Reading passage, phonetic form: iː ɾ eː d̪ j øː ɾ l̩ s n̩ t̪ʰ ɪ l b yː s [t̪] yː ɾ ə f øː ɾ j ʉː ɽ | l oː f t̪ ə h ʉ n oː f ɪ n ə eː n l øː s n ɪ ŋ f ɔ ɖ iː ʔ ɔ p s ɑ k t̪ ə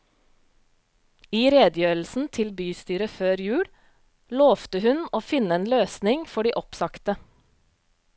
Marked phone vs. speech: correct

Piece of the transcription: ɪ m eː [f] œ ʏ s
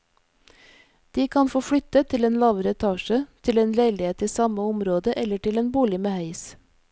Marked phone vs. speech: incorrect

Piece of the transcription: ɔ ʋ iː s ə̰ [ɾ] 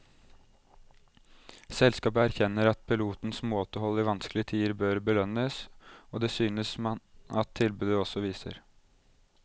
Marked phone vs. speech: correct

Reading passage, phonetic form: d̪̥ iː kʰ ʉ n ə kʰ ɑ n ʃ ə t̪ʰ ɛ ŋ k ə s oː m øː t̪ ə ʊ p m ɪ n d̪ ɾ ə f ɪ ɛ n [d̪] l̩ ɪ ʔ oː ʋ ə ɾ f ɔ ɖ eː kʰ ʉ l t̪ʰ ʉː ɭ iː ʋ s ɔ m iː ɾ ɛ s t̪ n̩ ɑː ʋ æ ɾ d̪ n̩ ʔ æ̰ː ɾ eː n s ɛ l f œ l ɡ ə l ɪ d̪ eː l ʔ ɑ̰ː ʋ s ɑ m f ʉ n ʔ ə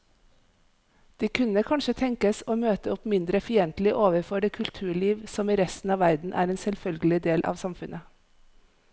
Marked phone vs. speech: incorrect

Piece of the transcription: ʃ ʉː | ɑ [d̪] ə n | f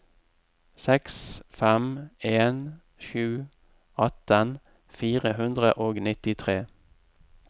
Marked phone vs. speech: incorrect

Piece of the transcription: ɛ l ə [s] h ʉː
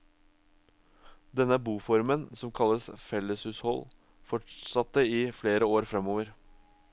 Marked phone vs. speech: correct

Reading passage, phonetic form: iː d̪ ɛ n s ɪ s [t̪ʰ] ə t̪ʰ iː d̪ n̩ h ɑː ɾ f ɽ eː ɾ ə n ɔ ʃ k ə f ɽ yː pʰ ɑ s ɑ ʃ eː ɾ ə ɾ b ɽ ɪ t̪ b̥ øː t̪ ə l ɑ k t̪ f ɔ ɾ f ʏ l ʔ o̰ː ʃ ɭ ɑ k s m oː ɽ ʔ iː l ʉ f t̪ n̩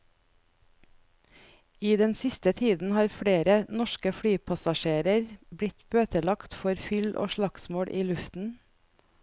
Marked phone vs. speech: incorrect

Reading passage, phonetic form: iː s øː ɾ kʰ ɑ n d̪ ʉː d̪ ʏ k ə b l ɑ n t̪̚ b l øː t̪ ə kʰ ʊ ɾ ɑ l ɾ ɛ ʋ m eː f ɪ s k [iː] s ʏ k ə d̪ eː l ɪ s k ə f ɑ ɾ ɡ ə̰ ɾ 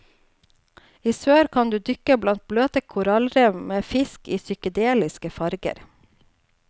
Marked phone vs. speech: correct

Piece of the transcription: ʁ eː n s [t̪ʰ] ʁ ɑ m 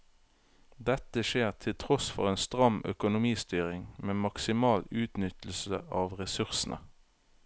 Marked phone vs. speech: incorrect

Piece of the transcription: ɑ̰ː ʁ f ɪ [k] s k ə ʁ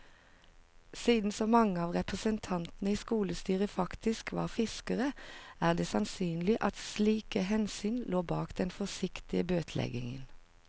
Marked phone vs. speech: incorrect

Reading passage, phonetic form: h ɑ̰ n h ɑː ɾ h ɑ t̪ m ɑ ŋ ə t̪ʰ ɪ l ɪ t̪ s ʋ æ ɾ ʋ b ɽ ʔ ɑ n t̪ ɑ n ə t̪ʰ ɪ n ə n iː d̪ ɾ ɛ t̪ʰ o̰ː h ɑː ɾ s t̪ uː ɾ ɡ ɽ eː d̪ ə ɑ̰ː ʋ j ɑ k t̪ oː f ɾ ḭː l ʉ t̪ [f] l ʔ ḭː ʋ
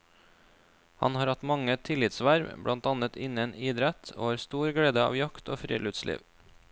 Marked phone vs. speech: incorrect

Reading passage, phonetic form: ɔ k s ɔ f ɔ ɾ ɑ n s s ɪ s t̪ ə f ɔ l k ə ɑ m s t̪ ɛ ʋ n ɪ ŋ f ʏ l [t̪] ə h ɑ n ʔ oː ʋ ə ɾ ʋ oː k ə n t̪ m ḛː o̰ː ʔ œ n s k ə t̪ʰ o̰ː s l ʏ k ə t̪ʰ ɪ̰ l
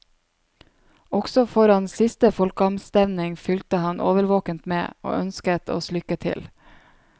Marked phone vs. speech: correct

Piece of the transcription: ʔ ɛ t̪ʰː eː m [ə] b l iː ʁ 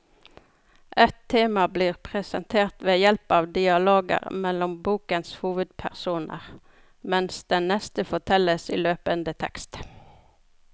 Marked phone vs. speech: incorrect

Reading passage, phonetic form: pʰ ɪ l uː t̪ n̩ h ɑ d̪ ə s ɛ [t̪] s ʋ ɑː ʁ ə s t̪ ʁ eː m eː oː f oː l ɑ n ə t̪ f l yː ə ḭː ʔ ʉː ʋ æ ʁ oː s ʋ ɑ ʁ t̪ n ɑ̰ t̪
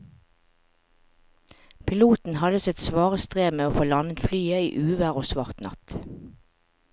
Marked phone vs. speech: correct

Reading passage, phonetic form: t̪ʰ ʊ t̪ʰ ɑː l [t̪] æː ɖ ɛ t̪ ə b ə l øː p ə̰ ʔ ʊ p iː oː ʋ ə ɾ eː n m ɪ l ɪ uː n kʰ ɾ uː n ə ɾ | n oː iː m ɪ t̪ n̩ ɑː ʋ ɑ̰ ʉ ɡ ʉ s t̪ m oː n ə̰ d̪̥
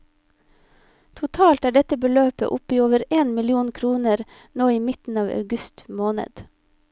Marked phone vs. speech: correct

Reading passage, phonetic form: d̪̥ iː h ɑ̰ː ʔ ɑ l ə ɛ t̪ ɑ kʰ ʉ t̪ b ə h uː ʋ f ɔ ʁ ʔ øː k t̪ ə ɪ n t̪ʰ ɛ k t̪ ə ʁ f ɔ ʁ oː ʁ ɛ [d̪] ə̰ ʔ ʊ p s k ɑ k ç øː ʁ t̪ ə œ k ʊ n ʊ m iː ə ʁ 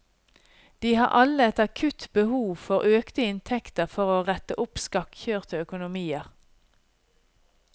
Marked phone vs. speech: incorrect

